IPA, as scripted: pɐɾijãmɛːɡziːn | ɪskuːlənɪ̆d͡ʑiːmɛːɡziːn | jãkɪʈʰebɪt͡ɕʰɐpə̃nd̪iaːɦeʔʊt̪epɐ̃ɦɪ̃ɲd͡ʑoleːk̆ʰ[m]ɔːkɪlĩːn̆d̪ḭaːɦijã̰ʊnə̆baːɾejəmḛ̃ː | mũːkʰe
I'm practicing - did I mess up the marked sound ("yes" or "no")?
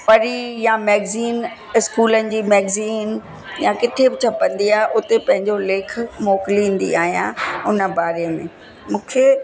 no